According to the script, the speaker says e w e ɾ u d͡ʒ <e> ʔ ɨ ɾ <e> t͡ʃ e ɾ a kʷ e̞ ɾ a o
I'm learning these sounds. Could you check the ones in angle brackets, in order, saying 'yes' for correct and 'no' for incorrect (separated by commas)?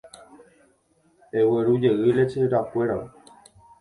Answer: yes, yes